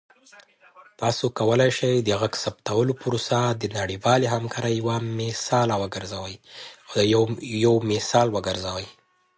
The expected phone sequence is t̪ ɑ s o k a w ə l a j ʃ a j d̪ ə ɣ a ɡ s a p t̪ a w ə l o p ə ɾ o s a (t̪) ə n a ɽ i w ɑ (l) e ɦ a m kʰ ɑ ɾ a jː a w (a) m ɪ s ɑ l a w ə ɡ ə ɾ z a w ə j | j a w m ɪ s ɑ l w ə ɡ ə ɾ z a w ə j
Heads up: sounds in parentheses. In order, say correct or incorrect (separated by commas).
incorrect, correct, correct